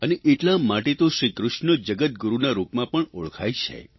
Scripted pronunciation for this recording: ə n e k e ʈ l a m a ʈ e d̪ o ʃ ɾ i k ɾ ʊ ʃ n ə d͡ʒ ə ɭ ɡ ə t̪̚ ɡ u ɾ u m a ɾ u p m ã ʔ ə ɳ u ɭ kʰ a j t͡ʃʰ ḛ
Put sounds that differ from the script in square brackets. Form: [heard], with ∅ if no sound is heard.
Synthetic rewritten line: ə n e [ʔ] e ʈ l a m a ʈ e [t̪] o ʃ ɾ i k ɾ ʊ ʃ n ə d͡ʒ ə [∅] ɡ ə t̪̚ ɡ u ɾ u [n] a ɾ u p m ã [p] ə ɳ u ɭ kʰ a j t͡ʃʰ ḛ